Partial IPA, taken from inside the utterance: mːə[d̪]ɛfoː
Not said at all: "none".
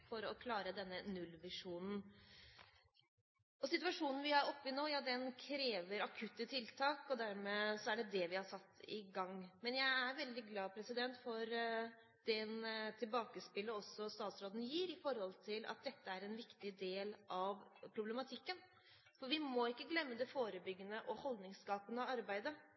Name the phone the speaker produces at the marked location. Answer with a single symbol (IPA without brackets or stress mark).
d̪